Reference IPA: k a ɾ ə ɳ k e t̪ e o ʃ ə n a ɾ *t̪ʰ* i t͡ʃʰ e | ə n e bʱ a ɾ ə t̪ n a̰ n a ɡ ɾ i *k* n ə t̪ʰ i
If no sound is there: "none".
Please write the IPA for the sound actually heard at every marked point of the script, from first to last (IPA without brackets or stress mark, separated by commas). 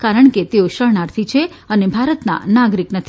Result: t̪ʰ, k